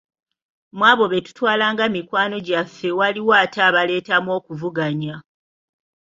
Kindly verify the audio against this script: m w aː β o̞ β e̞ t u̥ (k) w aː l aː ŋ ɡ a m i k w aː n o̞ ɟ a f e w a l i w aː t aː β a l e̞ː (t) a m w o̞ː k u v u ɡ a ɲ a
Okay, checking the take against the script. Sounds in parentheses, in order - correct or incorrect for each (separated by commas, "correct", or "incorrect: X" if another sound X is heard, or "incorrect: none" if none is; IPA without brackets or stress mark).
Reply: incorrect: t, correct